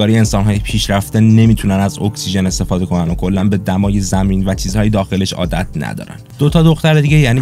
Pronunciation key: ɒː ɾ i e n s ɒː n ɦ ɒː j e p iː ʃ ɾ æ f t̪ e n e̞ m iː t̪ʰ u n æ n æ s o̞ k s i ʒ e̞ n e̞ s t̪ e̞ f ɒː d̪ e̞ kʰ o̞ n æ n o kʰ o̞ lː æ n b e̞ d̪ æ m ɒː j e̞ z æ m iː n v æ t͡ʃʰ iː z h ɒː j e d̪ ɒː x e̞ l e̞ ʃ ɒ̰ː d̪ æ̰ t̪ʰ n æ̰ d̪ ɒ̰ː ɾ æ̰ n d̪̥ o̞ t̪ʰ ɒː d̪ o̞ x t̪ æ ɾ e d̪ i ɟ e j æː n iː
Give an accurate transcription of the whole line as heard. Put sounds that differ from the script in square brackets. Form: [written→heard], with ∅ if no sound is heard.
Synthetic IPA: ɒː ɾ i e n s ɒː n ɦ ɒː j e [p→pʰ] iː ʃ ɾ æ f t̪ e n e̞ m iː t̪ʰ u n æ n æ [s→z] o̞ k s i ʒ e̞ n e̞ s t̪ e̞ f ɒː d̪ e̞ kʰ o̞ n æ n o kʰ o̞ lː æ n b e̞ d̪ æ m ɒː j e̞ z æ m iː n v æ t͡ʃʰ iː z h ɒː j e d̪ ɒː x e̞ l e̞ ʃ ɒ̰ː d̪ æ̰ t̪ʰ n æ̰ d̪ ɒ̰ː ɾ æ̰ n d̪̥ o̞ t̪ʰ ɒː d̪ o̞ x t̪ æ ɾ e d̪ i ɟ e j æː n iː